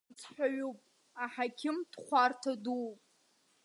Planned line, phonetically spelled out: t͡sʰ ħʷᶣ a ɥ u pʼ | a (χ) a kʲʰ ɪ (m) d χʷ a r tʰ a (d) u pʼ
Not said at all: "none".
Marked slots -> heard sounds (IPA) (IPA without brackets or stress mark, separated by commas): ħ, m, d